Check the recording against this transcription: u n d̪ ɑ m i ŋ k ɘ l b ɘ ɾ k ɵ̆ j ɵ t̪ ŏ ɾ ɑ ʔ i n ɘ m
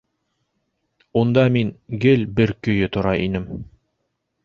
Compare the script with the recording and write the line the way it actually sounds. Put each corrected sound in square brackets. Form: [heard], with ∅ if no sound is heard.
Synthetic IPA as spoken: u n d̪ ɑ m i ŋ [ɡ] ɘ l b ɘ ɾ k ɵ̆ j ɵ t̪ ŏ ɾ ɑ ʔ i n ɘ m